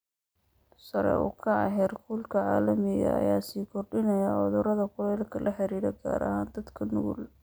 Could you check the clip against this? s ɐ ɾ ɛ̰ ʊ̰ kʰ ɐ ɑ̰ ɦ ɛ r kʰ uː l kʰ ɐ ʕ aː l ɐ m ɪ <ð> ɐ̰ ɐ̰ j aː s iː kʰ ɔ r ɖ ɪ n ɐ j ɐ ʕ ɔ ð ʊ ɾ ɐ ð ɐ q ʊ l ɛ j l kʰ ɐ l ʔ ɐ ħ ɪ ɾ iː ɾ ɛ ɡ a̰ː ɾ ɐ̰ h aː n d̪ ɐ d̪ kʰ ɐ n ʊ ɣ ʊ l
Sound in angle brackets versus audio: incorrect: ɣ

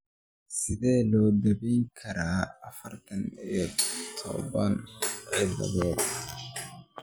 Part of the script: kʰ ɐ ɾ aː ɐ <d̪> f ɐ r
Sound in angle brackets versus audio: incorrect: none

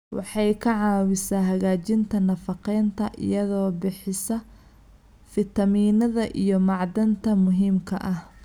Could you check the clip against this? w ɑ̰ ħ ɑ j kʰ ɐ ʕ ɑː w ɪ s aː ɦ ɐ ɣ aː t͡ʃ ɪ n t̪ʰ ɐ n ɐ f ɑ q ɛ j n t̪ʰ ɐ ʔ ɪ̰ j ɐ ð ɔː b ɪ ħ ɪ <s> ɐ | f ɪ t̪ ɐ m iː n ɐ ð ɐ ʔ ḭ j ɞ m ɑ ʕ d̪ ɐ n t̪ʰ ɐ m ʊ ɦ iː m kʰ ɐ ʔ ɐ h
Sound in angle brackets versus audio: correct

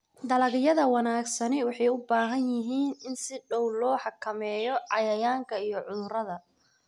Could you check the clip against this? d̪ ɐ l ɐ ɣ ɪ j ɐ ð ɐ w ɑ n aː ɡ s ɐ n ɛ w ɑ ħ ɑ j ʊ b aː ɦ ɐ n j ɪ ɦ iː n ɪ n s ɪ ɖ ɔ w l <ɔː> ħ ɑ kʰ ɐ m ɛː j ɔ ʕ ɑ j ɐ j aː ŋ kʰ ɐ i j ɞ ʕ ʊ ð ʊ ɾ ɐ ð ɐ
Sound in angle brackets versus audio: correct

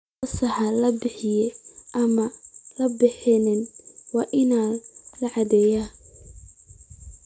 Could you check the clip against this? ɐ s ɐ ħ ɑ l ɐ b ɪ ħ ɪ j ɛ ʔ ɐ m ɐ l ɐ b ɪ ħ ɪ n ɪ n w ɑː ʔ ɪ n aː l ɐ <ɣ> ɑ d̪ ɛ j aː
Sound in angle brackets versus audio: incorrect: ʕ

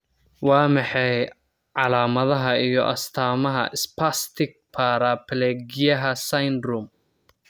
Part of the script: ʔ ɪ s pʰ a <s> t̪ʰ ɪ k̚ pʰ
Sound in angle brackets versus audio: correct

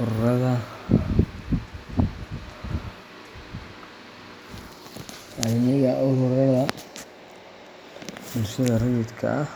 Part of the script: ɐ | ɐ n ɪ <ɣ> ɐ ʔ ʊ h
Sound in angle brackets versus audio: correct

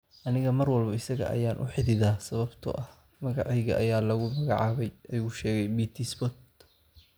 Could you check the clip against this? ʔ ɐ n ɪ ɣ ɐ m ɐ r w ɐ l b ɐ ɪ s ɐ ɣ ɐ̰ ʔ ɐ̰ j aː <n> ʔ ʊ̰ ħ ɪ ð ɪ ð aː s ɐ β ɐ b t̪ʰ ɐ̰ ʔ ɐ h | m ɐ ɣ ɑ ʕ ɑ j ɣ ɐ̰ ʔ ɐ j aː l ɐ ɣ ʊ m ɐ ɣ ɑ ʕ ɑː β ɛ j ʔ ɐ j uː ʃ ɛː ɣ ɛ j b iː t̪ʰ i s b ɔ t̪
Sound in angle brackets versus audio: correct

